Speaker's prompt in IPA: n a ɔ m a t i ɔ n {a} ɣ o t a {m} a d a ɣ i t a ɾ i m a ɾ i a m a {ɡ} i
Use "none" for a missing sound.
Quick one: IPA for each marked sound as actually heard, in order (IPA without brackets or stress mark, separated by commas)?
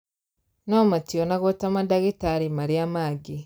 a, m, ɡ